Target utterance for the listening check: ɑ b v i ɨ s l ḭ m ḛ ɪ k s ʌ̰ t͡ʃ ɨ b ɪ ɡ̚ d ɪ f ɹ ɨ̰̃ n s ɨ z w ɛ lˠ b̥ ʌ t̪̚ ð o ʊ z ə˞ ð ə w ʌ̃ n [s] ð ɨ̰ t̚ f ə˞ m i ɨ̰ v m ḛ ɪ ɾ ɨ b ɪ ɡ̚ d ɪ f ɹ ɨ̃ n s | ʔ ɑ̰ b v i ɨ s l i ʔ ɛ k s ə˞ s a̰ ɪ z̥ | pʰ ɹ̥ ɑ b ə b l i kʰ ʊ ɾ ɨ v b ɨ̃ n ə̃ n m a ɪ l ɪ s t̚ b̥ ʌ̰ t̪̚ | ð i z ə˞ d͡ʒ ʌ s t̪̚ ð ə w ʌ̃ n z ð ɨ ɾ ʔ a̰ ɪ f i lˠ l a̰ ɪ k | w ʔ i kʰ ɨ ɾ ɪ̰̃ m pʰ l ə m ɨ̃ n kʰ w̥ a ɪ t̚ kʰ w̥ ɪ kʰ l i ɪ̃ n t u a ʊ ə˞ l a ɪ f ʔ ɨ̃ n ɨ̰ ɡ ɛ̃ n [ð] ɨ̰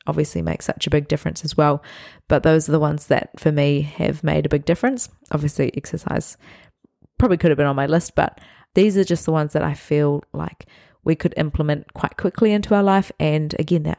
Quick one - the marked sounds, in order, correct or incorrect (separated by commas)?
incorrect, correct